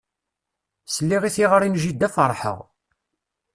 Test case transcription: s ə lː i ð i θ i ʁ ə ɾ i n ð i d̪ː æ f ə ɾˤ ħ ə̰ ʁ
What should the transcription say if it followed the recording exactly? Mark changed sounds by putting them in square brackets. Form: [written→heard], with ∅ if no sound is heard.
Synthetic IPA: s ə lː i [ð→ʁ] i θ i ʁ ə ɾ i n [ð→ʒ] i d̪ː æ f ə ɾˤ ħ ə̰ ʁ